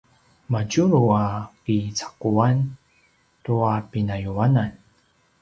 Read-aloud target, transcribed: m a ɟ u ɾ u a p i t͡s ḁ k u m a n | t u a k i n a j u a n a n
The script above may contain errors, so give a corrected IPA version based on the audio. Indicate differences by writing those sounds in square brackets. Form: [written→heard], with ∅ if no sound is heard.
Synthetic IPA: m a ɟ u ɾ u a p i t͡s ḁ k u [m→∅] a n | t u a [k→p] i n a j u a n a n